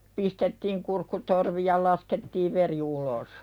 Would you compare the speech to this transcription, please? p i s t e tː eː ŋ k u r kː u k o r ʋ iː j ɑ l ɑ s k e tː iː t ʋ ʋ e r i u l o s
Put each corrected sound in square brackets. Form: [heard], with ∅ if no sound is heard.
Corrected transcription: p i s t e tː [iː] ŋ k u r kː u [t] o r ʋ [i] j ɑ l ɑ s k e tː iː [∅] ʋ ʋ e r i u l o s